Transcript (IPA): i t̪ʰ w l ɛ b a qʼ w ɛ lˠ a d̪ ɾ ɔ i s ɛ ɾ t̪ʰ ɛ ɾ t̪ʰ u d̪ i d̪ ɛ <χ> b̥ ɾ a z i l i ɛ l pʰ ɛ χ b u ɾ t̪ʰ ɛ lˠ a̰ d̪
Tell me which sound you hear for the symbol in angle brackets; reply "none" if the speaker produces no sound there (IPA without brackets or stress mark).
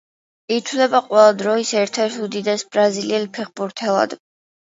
s